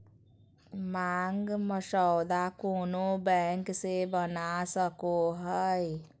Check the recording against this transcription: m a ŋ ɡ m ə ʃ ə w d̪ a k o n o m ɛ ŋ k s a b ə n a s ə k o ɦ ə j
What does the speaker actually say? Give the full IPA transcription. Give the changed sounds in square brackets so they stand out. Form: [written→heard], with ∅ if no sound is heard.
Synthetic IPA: m a ŋ ɡ m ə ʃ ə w d̪ a k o n o [m→b] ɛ ŋ k s [a→e] b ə n a s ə k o ɦ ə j